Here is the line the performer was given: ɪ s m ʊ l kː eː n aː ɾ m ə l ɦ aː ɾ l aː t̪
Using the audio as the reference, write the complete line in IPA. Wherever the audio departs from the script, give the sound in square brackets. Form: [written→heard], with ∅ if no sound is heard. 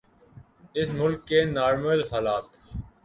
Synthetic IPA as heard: ɪ s m ʊ l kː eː n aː ɾ m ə l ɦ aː [ɾ→∅] l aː t̪